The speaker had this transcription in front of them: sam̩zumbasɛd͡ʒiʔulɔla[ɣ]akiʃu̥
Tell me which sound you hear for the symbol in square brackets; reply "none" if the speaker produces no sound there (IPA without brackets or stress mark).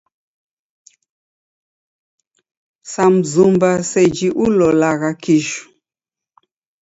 ɣ